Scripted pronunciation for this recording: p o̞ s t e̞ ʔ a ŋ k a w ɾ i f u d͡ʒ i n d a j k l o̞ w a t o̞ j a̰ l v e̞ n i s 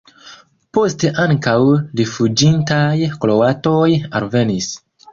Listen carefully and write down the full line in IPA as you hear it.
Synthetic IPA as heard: p o̞ s t e̞ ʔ a ŋ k a w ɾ i f u d͡ʒ i n t a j k l o̞ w a t o̞ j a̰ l v e̞ n i s